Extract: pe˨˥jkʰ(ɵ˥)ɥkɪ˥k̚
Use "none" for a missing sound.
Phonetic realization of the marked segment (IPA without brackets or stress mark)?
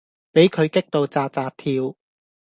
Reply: ɵ˨˧